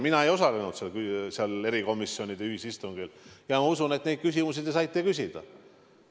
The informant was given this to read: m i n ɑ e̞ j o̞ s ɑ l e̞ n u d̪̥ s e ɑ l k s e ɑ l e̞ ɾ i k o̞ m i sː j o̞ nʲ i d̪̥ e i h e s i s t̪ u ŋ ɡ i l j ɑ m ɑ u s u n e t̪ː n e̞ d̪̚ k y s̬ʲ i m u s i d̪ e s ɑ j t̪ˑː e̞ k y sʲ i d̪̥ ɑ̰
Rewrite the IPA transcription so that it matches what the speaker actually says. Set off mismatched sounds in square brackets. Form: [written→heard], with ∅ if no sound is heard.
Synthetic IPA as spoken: m i n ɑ e̞ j o̞ s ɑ l e̞ n u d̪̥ s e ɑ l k s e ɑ l e̞ ɾ i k o̞ m i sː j o̞ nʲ i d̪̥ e [i→y] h [e→i] s i s t̪ u ŋ ɡ i l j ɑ m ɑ u s u n e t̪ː n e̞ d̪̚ k y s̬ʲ i m u s i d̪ e s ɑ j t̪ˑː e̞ k y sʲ i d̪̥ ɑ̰